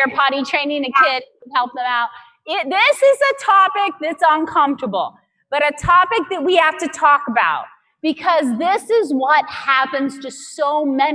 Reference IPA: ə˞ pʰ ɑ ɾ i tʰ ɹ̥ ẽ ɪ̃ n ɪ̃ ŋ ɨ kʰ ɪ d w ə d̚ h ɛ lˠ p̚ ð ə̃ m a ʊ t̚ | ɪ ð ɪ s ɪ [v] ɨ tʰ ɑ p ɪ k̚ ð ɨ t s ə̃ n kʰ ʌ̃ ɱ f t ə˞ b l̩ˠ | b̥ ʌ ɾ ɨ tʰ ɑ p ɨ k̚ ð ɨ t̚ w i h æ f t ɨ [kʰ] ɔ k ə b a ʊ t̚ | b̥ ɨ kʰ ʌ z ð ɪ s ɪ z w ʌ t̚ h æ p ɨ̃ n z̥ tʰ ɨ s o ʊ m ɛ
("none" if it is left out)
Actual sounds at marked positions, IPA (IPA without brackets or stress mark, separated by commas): z, tʰ